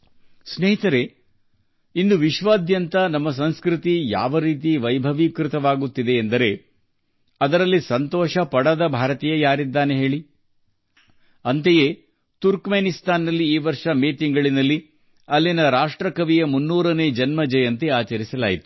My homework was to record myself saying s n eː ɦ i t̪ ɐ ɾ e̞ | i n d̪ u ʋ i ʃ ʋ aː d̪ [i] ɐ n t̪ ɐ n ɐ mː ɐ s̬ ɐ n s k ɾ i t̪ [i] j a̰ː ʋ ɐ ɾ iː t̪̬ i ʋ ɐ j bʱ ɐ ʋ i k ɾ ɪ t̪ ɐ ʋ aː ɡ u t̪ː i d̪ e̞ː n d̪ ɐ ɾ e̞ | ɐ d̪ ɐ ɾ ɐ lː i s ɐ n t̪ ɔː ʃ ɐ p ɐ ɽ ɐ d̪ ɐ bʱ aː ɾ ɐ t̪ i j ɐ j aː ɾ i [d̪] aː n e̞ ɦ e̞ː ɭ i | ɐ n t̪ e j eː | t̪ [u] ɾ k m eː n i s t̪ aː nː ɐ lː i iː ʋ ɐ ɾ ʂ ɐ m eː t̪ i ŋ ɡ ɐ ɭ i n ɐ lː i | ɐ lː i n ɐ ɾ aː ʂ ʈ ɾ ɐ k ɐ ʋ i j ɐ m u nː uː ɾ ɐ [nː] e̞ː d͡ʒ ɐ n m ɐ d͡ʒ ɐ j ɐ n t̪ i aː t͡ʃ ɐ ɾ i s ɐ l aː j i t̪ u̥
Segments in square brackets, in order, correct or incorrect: incorrect: j, correct, incorrect: d̪ː, correct, incorrect: n

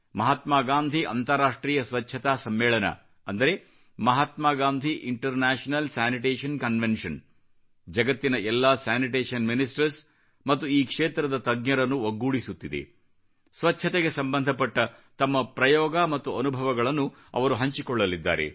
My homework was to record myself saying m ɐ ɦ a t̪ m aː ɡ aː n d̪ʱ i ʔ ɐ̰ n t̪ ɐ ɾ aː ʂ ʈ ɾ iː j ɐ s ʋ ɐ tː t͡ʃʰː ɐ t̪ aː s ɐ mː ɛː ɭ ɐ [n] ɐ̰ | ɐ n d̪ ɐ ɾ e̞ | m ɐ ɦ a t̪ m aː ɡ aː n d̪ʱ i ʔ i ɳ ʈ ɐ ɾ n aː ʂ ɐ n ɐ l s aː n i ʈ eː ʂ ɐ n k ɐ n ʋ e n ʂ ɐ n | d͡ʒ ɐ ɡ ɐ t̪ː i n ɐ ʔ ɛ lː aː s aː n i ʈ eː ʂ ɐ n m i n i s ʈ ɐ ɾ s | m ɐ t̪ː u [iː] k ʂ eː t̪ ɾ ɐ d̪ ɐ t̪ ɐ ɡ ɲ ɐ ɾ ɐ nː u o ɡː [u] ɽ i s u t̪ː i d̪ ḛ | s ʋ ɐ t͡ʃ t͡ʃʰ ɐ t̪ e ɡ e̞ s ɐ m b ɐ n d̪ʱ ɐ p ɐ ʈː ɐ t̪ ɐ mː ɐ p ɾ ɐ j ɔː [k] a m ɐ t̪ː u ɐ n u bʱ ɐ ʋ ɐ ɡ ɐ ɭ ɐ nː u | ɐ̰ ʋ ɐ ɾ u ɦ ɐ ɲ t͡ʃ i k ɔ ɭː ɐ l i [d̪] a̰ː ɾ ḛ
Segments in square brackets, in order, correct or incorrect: correct, correct, incorrect: uː, incorrect: ɡ, incorrect: d̪ː

